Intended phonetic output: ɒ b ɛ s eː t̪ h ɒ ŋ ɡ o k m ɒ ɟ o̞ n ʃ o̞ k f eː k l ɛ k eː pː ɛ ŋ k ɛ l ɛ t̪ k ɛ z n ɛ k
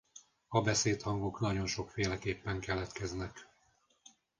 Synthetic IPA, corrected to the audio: ɒ b ɛ s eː t̪ h ɒ ŋ ɡ o k n ɒ ɟ o̞ n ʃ o̞ k f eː l ɛ k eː pː ɛ ŋ k ɛ l ɛ t̪ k ɛ z n ɛ k